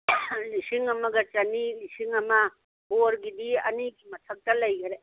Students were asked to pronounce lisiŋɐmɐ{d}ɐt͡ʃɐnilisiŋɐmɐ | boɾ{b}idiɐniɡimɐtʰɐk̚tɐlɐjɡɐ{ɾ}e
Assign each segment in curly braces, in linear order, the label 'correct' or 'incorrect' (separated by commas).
incorrect, incorrect, correct